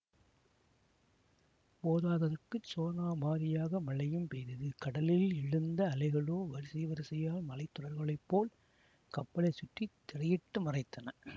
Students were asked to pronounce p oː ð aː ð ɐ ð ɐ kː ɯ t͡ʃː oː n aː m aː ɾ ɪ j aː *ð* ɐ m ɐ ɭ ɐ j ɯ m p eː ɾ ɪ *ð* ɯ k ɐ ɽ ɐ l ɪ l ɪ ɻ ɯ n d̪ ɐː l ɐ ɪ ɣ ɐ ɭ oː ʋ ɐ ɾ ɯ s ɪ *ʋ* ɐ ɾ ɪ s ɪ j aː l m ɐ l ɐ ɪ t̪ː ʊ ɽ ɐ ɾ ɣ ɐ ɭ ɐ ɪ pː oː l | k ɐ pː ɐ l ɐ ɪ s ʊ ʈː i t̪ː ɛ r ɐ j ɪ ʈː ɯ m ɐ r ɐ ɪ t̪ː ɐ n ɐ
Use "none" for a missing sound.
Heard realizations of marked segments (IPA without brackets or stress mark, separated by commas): ɣ, ð, ʋ